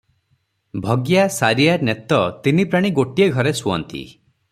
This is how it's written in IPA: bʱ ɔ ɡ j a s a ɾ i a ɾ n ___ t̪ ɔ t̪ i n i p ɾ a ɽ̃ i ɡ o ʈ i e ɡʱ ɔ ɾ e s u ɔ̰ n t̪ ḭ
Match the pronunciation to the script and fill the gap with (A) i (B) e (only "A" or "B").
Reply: B